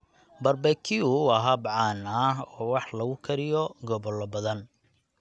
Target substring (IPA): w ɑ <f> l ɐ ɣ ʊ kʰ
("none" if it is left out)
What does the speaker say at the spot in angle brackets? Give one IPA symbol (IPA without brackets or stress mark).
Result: ħ